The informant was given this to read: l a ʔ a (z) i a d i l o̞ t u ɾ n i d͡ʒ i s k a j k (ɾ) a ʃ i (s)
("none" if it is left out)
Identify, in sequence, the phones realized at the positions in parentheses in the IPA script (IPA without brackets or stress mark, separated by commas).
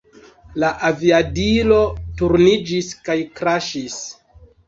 v, ɾ, s